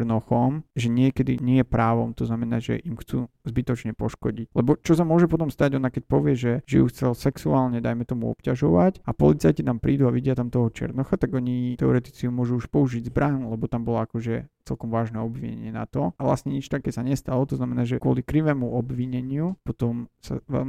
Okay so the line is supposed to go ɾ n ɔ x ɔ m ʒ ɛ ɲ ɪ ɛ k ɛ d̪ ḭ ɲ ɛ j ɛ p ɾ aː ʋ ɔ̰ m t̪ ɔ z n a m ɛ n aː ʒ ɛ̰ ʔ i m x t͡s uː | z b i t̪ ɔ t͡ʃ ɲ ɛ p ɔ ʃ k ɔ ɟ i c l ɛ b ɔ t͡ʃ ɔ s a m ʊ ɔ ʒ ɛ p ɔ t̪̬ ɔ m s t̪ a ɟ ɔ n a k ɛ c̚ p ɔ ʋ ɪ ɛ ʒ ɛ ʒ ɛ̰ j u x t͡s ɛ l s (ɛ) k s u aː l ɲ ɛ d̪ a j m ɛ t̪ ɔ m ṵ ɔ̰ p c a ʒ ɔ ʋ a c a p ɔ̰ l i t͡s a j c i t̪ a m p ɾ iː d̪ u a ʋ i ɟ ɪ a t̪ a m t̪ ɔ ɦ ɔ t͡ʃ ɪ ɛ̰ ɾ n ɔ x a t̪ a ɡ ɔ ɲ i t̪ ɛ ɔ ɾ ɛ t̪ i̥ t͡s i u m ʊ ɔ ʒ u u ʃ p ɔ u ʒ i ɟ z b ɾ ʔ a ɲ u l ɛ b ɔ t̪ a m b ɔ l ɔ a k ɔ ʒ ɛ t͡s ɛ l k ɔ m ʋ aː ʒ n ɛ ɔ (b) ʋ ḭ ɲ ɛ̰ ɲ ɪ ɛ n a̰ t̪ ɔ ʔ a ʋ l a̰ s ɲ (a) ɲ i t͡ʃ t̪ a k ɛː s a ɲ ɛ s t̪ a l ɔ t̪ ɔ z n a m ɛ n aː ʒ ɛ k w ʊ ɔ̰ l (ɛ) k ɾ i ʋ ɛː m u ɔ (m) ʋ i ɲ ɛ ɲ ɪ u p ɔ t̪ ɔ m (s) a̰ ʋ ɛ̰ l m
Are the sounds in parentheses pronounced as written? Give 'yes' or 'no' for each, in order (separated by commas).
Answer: yes, yes, no, no, no, yes